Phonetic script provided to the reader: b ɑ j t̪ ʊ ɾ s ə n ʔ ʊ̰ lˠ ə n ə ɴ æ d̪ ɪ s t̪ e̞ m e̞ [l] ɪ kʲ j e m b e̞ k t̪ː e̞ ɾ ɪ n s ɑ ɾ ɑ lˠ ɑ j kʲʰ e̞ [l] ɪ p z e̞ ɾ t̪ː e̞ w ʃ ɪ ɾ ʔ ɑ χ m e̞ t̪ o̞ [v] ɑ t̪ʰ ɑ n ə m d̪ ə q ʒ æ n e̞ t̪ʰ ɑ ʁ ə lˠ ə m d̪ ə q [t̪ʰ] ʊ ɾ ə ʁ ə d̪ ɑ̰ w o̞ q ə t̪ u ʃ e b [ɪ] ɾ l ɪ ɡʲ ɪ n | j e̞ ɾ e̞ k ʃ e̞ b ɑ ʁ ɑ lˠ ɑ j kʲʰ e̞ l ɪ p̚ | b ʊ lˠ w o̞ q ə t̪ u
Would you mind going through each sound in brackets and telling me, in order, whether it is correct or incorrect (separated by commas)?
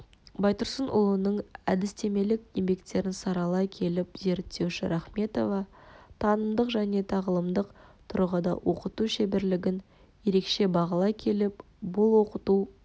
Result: correct, correct, correct, correct, correct